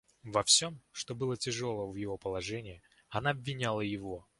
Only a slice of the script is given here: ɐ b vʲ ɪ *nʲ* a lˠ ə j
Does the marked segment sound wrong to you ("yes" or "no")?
no